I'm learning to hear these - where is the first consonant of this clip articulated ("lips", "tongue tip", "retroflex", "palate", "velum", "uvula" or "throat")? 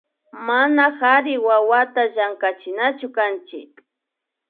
lips